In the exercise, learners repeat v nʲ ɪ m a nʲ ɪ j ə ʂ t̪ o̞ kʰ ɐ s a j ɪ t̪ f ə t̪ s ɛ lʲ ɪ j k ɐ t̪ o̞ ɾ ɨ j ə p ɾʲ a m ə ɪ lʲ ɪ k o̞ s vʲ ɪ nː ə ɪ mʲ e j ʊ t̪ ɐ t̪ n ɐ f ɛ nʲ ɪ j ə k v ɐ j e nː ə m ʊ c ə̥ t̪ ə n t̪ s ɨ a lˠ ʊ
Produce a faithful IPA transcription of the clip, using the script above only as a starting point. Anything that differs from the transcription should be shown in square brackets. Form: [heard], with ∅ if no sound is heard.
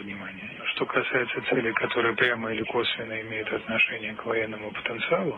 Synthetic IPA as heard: v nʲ ɪ m a nʲ ɪ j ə ʂ t̪ o̞ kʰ ɐ s a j ɪ t̪ [s] ə t̪ s ɛ lʲ ɪ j k ɐ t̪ o̞ ɾ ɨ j ə p ɾʲ a m ə ɪ lʲ ɪ k o̞ s vʲ ɪ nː ə ɪ mʲ e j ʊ t̪ ɐ t̪ n ɐ [ʂ] ɛ nʲ ɪ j ə k v ɐ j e nː ə m ʊ [p] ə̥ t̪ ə n t̪ s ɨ a lˠ ʊ